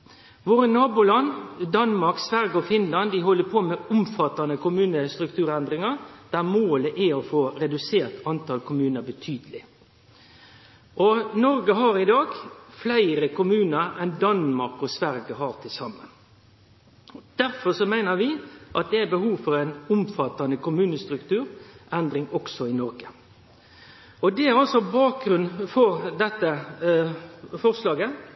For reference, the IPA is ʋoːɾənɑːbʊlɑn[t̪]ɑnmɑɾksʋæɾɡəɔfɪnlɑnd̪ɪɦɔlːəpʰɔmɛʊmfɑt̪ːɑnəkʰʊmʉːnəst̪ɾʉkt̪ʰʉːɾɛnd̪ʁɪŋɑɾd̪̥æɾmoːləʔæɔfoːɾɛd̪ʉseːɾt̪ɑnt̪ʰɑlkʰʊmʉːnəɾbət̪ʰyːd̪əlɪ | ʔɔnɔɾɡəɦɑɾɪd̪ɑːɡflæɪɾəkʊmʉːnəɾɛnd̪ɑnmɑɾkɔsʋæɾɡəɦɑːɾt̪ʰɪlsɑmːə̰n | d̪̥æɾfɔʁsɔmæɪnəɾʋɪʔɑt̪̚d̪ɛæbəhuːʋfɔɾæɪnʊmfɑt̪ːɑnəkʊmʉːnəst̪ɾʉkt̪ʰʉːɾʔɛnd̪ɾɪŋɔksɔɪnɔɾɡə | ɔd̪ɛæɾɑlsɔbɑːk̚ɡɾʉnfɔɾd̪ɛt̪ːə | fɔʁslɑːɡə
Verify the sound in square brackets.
incorrect: d̪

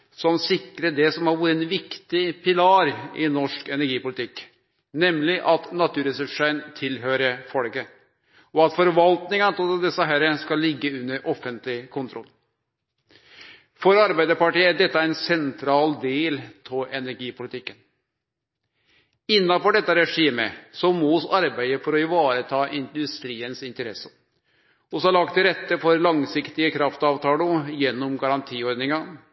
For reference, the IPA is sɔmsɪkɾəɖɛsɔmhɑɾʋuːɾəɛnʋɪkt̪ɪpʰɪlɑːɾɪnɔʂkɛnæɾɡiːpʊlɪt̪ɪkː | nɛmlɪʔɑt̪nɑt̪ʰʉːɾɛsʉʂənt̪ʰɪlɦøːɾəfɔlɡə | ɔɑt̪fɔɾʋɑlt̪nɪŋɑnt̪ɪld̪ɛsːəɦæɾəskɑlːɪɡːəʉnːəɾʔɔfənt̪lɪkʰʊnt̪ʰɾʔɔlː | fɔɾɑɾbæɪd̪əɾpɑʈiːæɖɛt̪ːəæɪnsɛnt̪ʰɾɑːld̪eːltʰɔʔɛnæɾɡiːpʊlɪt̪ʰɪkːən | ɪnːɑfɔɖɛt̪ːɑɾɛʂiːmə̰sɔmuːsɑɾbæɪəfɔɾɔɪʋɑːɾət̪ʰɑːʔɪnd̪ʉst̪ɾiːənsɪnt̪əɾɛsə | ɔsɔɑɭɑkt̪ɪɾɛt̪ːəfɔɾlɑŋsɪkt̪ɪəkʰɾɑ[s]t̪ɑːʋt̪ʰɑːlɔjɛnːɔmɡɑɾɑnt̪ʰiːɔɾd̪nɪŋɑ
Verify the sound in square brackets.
incorrect: f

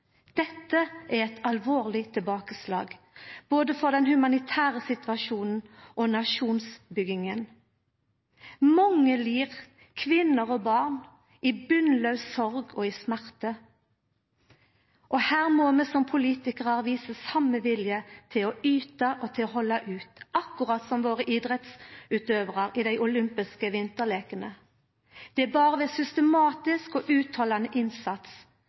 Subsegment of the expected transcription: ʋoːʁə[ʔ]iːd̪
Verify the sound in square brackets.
correct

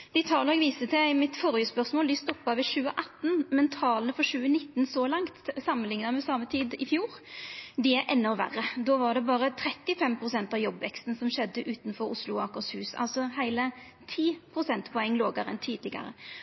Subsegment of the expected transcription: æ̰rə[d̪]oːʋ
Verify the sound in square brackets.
correct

